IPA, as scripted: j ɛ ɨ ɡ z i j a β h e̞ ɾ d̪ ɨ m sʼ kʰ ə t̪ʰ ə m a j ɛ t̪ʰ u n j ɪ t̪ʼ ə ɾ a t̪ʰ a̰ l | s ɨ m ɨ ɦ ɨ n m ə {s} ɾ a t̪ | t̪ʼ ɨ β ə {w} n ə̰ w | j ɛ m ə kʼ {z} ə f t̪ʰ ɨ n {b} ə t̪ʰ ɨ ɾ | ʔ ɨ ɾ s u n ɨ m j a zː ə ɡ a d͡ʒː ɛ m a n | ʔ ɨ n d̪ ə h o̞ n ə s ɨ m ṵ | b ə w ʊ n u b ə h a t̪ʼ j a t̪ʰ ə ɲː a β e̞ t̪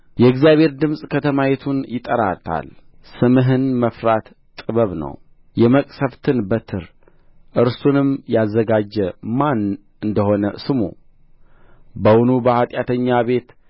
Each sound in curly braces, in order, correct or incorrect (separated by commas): incorrect, incorrect, incorrect, correct